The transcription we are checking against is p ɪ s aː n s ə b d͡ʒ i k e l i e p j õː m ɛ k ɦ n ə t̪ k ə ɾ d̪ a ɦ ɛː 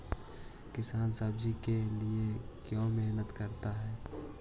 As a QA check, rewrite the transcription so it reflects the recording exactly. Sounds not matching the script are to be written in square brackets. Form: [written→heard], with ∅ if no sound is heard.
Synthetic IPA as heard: [p→k] ɪ s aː n s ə b d͡ʒ i k e l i e [p→k] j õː m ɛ [k→∅] ɦ n ə t̪ k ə ɾ [d̪→t̪] a ɦ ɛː